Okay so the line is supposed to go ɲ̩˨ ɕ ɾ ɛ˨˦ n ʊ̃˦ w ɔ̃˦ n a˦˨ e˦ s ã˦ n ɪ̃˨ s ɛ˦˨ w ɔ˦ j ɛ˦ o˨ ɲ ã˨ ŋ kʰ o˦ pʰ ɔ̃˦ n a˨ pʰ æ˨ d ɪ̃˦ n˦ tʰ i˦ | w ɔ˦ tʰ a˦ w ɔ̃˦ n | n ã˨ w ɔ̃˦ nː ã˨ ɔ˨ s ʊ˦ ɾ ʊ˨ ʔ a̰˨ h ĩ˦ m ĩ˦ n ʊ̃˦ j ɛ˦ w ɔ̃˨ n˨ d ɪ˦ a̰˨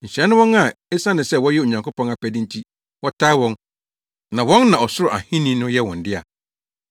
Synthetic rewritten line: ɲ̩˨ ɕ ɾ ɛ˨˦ n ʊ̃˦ w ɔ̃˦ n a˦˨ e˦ s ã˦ n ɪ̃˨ s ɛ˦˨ w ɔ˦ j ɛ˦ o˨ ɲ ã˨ ŋ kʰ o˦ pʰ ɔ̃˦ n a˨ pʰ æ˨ d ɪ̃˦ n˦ tʰ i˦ | w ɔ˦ tʰ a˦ w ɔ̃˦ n | n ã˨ w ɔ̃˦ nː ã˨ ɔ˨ s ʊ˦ ɾ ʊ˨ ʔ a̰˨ h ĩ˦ n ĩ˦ n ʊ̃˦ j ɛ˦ w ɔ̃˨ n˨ d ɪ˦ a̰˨

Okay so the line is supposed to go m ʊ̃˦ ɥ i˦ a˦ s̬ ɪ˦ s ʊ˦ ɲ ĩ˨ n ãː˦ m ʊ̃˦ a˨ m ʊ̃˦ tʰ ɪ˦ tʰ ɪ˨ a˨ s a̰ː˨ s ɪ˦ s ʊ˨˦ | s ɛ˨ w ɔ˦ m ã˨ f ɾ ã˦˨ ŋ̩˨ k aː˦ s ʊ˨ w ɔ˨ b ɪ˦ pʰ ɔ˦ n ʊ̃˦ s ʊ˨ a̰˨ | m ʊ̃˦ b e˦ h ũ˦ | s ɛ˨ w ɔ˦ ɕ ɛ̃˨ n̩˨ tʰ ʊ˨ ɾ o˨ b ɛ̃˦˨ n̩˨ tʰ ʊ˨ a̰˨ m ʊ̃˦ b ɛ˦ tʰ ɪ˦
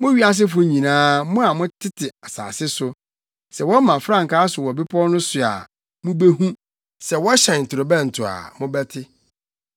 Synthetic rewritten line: m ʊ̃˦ ɥ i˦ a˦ s̬ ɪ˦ f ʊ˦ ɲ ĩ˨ n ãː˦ m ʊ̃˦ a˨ m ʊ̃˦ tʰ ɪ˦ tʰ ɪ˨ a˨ s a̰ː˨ s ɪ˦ s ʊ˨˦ | s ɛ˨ w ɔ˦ m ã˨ f ɾ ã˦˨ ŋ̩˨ k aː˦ s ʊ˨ w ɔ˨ b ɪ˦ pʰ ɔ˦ n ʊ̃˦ s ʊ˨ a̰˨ | m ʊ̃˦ b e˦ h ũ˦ | s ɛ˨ w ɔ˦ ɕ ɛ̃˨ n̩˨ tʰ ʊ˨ ɾ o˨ b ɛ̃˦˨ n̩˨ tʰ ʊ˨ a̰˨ m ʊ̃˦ b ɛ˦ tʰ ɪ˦

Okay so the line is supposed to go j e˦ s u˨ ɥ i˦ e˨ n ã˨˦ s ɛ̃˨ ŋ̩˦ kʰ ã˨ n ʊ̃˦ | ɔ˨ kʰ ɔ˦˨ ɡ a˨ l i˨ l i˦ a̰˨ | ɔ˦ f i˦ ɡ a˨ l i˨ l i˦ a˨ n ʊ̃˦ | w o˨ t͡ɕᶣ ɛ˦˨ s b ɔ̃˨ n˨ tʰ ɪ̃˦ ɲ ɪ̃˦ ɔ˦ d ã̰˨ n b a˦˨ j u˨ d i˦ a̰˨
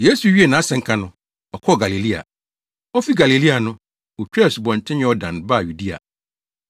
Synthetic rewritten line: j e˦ s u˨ ɥ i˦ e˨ n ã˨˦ s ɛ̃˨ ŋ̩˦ kʰ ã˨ n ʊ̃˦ | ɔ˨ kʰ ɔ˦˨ ɡ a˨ l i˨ l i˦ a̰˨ | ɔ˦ f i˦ ɡ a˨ l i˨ l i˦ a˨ n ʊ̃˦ | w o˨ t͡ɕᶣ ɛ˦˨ s b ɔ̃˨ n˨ tʰ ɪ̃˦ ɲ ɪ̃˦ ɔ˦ d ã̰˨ n b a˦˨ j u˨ d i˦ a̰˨

